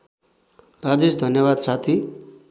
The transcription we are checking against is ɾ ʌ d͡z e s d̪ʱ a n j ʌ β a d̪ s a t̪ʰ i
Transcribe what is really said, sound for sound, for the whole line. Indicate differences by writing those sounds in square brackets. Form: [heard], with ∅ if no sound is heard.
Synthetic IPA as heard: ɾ [a] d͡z e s d̪ʱ [ʌ] n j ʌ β a d̪ s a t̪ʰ i

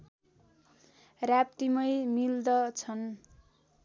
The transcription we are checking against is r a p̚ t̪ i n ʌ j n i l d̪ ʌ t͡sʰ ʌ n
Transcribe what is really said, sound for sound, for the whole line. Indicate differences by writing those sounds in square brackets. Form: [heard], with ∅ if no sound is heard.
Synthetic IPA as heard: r a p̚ t̪ i [m] ʌ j [m] i l d̪ ʌ t͡sʰ ʌ n

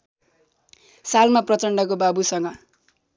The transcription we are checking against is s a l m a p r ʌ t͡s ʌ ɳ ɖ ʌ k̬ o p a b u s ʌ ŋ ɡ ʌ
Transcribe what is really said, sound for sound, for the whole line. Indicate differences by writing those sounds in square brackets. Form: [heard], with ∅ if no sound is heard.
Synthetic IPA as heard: s a l m a p r ʌ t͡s ʌ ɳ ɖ ʌ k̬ o [b] a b u s ʌ ŋ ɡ ʌ

